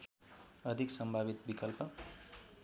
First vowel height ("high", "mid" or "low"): mid